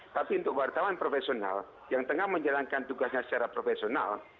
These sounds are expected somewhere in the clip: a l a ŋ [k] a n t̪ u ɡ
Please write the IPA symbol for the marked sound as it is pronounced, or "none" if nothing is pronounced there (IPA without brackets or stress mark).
k